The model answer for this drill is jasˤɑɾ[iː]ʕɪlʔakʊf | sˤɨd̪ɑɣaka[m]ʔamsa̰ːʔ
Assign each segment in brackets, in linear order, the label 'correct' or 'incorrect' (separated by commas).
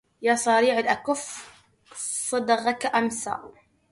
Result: correct, incorrect